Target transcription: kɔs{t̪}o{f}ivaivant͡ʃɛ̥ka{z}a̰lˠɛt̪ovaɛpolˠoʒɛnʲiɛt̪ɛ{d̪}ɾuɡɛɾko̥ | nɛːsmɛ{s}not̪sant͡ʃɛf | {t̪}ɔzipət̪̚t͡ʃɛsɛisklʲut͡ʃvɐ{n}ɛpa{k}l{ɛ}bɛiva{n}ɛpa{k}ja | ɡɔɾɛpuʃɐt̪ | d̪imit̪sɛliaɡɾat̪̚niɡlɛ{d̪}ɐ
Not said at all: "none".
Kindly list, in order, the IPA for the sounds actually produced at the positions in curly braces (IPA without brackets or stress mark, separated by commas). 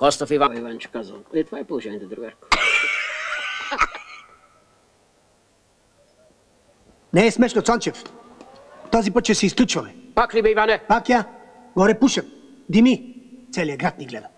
t̪, f, z, d̪, ʃ, t̪, m, k, i, n, k, d̪